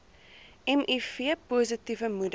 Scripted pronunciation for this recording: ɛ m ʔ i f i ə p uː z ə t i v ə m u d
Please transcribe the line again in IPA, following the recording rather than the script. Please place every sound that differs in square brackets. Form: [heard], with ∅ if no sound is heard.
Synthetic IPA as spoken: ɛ m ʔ i f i ə p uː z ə t i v ə m u d